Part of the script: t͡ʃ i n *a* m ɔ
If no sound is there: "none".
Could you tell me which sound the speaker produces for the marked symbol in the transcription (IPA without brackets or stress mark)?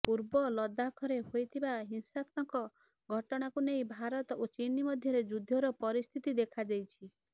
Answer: i